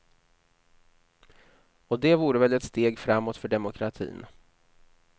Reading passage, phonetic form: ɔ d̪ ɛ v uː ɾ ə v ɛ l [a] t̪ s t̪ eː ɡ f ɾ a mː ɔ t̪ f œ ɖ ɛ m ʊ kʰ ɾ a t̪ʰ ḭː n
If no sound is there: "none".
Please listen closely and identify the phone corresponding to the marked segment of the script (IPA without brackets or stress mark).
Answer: ɛ